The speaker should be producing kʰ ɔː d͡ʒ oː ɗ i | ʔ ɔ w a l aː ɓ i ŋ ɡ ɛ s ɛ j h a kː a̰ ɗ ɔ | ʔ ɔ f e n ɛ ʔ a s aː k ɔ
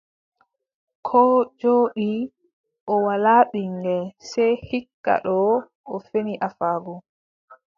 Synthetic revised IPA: kʰ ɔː d͡ʒ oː ɗ i | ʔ ɔ w a l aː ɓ i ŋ ɡ ɛ s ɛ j h i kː a̰ ɗ ɔ | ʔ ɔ f e n i ʔ a f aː ɡ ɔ